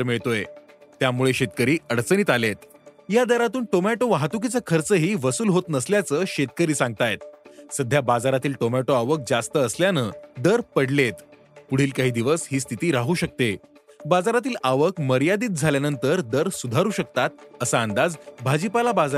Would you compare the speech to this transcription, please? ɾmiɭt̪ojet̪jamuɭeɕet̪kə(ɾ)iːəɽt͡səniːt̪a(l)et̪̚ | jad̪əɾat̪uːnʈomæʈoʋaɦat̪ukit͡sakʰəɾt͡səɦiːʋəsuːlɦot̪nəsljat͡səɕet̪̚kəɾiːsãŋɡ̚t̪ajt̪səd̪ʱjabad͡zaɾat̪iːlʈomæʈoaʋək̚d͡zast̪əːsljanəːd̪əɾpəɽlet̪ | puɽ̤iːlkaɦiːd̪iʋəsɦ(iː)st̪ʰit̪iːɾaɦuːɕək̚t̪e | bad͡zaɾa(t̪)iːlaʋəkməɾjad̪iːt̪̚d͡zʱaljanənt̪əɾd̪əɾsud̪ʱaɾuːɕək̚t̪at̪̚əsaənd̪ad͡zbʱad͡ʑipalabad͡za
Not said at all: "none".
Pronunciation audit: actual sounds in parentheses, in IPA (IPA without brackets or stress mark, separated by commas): ɾ, l, iː, t̪